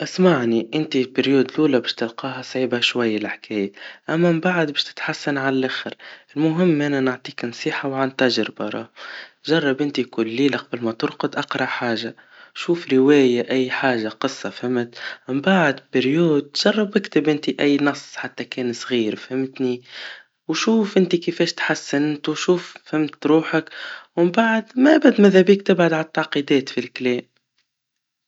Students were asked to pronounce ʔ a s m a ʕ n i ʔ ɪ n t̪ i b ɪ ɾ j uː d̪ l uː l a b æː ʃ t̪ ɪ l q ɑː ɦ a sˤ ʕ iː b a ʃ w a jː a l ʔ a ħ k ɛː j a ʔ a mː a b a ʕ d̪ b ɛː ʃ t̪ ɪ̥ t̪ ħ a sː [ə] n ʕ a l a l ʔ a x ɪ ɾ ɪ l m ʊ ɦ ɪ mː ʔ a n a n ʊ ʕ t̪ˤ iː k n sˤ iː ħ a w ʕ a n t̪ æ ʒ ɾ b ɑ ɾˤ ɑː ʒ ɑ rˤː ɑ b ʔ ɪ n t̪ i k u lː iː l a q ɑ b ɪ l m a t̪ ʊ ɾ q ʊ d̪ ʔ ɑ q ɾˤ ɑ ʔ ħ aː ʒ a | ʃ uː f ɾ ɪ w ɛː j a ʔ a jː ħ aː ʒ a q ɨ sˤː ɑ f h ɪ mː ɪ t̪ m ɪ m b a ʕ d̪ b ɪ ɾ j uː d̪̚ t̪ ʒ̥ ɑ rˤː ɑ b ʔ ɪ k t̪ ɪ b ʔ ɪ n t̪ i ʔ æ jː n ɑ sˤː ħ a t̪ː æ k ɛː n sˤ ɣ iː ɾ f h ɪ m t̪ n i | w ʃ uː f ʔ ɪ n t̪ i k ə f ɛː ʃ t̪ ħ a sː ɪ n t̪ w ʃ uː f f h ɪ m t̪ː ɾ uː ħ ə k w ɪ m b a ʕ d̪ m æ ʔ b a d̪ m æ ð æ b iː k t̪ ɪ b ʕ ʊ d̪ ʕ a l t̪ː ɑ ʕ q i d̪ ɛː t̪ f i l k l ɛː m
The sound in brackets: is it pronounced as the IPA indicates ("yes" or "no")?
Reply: no